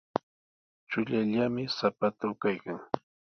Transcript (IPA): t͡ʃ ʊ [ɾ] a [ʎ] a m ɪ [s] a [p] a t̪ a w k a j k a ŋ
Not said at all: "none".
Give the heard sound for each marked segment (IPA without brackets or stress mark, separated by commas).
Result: ʎ, ʎ, s, p